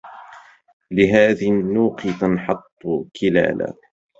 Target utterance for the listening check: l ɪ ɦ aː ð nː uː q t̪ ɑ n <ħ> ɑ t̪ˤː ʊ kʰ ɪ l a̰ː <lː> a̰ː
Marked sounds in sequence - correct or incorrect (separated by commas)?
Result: correct, incorrect